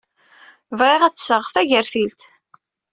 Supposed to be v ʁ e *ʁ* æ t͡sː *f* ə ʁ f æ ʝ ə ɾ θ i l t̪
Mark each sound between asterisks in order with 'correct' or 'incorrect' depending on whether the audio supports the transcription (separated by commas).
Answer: correct, incorrect